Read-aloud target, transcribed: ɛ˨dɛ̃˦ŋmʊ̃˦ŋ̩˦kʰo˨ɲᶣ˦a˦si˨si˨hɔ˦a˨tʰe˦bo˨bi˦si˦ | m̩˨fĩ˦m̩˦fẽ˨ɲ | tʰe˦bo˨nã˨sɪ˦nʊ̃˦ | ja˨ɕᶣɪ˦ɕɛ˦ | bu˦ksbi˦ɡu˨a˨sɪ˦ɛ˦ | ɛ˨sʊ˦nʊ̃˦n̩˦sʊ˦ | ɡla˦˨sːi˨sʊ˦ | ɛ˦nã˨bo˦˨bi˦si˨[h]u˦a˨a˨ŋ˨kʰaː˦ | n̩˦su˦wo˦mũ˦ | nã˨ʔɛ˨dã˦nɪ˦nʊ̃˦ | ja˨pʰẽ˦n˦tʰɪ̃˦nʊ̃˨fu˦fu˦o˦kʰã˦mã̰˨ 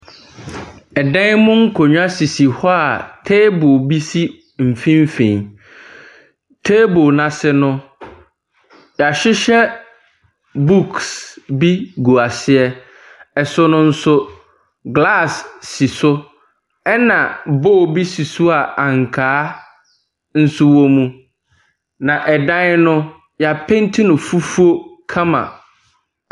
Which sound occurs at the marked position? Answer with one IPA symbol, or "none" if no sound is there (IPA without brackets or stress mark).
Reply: s